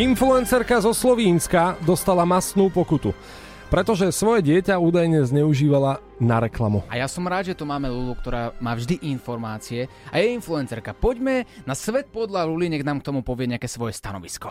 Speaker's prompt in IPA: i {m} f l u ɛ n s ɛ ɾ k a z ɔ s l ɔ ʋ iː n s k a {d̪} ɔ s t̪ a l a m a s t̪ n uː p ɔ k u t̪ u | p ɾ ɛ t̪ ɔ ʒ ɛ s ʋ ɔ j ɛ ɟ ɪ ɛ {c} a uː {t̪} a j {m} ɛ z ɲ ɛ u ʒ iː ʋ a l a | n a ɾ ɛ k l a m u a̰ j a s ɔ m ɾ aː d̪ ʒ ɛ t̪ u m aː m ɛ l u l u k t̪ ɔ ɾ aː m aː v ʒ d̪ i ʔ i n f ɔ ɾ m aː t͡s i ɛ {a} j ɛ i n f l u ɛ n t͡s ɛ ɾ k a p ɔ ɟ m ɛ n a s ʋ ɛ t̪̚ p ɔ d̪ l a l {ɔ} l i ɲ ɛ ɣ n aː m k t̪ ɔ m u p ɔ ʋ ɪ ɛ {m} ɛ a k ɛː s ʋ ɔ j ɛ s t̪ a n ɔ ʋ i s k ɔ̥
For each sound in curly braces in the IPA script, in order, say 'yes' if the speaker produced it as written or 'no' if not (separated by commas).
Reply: no, yes, yes, no, no, yes, no, no